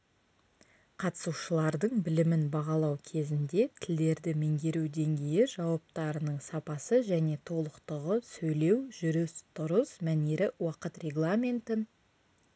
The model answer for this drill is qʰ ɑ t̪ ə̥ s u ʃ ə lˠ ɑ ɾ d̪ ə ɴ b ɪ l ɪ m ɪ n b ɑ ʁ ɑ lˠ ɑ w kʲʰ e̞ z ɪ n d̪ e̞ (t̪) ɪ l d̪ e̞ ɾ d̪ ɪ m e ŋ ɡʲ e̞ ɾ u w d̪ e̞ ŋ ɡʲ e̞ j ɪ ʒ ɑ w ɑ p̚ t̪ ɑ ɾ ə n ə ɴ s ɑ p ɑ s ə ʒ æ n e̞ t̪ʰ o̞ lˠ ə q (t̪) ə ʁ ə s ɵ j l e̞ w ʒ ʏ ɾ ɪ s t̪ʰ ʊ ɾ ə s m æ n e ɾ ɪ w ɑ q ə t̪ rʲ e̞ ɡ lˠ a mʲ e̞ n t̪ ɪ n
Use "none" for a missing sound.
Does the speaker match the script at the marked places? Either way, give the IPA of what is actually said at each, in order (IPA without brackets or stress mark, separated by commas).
t̪ʰ, t̪